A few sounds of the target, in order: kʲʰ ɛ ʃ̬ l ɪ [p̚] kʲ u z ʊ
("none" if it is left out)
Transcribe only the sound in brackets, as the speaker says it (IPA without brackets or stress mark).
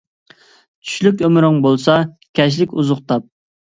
none